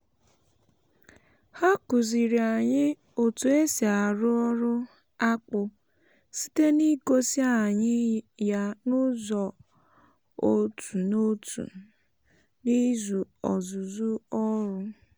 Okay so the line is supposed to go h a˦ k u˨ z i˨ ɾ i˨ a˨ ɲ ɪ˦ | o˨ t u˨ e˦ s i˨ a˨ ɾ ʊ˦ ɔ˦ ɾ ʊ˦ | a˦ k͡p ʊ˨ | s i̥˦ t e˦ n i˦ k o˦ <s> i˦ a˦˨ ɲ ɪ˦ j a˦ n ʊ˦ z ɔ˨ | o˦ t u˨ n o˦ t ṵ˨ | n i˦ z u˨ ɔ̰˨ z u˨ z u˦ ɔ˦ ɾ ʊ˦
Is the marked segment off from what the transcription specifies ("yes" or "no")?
no